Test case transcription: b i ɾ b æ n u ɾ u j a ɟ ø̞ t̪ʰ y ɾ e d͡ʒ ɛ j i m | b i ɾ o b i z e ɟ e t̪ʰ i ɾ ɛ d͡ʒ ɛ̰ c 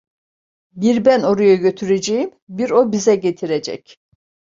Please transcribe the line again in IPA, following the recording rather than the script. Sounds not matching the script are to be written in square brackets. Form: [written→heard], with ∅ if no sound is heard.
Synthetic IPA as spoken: b i ɾ b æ n [u→o] ɾ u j a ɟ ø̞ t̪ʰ y ɾ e d͡ʒ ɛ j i m | b i ɾ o b i z [e→ɛ] ɟ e t̪ʰ i ɾ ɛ d͡ʒ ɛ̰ c